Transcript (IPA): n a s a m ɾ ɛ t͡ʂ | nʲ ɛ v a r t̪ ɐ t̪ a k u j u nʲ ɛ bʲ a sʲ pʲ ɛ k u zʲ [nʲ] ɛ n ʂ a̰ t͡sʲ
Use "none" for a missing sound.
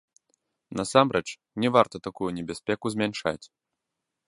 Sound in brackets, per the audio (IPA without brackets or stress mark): mʲ